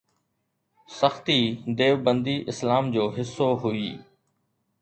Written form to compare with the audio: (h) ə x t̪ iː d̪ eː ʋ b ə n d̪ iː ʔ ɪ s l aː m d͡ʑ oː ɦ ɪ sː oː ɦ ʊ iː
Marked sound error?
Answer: yes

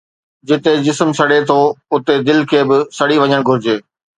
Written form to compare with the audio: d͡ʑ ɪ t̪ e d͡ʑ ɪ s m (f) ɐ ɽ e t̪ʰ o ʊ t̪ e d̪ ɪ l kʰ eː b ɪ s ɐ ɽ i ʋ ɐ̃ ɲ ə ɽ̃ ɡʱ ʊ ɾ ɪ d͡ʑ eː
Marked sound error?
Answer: yes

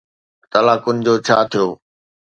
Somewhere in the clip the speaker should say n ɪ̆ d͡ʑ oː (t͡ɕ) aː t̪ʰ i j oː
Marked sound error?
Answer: yes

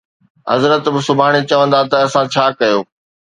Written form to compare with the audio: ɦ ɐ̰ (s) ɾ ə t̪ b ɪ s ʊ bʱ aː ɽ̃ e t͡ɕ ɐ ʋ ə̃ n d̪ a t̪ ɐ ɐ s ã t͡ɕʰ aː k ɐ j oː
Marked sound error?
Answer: yes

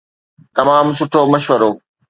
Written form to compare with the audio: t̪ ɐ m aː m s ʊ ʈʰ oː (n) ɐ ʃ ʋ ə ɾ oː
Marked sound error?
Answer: yes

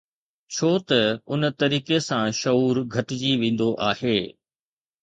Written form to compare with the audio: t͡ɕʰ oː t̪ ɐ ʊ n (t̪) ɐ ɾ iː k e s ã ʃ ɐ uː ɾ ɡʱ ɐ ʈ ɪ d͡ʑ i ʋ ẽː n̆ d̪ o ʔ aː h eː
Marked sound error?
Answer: no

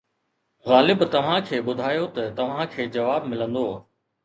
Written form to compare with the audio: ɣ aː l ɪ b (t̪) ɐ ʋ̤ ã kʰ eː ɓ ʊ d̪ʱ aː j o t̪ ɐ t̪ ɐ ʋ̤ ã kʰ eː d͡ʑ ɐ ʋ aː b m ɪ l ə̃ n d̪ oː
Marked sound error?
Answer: no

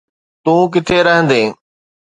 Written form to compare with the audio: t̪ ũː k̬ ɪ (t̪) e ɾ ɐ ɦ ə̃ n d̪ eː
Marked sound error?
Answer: yes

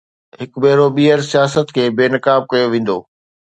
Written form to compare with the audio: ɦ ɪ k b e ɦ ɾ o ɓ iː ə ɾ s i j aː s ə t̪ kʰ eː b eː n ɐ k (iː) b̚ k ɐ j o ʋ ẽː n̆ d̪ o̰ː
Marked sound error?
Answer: yes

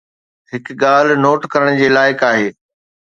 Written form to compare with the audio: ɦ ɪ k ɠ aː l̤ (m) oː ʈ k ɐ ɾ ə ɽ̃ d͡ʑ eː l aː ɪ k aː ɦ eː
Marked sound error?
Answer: yes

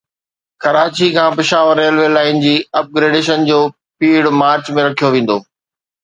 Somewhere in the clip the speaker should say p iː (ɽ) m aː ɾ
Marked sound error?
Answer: no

